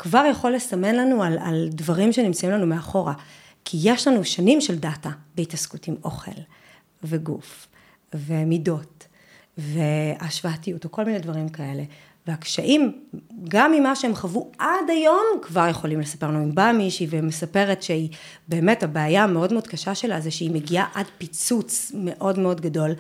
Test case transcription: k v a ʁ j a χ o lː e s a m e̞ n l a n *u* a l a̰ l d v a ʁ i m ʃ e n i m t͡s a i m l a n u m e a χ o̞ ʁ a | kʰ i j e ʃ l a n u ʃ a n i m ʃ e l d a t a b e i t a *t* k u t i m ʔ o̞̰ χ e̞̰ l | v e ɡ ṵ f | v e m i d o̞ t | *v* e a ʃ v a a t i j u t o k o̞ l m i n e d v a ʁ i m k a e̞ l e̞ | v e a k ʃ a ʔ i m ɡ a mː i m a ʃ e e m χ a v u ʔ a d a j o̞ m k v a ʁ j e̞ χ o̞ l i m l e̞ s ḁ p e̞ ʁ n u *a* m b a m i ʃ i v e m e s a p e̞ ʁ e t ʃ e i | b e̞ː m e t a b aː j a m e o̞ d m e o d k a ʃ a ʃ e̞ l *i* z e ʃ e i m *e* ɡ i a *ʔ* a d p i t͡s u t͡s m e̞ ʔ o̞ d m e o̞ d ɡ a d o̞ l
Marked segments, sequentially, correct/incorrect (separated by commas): correct, incorrect, correct, incorrect, incorrect, correct, correct